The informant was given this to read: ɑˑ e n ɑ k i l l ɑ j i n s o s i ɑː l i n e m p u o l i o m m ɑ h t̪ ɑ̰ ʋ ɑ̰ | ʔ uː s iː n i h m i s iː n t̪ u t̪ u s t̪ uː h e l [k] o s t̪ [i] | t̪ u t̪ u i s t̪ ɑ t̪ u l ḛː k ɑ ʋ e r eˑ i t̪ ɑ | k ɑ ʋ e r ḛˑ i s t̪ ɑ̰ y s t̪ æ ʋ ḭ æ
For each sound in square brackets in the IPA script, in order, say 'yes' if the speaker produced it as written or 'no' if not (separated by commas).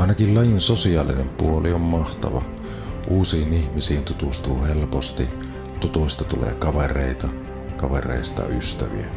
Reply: no, yes